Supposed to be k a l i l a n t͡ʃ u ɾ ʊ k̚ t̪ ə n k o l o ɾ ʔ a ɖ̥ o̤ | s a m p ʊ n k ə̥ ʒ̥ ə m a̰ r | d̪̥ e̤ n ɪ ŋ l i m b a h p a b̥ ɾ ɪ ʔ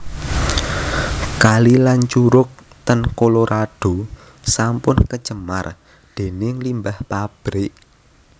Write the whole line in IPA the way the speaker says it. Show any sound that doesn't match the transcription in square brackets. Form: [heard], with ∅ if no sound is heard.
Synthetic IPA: k a l i l a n t͡ʃ u ɾ ʊ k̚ t̪ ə n k o l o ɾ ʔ a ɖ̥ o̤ | s a m p ʊ n k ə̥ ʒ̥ ə m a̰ r | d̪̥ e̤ n ɪ ŋ l i m b a h p a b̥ ɾ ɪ ʔ